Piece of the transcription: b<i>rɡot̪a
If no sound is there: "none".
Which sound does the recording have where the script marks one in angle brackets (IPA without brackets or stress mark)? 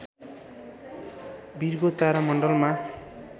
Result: i